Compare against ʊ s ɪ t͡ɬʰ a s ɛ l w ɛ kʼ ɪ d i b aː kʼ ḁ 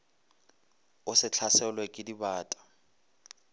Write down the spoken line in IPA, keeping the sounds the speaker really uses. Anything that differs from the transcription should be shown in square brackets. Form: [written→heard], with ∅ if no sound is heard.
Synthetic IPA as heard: ʊ s ɪ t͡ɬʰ a s ɛ l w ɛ kʼ ɪ d i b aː [kʼ→tʼ] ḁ